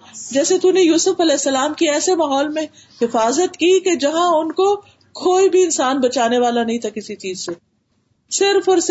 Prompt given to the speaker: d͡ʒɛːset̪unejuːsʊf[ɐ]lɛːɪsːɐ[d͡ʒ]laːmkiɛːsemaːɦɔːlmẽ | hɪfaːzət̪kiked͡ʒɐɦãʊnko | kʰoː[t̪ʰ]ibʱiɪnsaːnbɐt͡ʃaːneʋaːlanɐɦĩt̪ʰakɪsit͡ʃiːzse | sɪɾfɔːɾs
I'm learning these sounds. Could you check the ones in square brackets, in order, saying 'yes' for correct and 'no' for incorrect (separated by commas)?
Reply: yes, no, no